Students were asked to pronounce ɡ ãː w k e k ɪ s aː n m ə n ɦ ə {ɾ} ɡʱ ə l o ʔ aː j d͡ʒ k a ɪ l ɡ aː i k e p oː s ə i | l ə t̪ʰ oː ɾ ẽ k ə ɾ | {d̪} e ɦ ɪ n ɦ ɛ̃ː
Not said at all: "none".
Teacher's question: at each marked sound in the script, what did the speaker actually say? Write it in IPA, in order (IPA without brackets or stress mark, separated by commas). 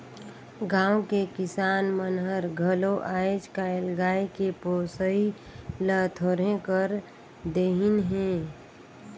ɾ, d̪